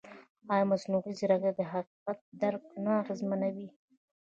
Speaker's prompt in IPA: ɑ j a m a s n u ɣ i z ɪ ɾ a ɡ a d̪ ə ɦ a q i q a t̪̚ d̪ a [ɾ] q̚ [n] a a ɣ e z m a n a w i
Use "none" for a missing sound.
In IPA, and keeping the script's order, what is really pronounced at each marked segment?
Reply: ɾ, n

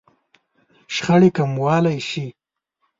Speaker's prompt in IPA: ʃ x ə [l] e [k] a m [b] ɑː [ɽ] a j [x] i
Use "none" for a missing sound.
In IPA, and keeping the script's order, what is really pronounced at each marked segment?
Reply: ɽ, k, w, l, ʃ

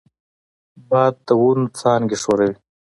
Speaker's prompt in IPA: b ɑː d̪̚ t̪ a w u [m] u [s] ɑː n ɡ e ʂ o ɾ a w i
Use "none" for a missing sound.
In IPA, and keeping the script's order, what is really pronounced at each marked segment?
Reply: n, t͡s

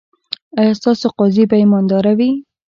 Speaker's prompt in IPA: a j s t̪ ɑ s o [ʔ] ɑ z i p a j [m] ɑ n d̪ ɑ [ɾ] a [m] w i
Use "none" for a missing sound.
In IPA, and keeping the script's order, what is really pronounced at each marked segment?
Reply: q, m, ɾ, none

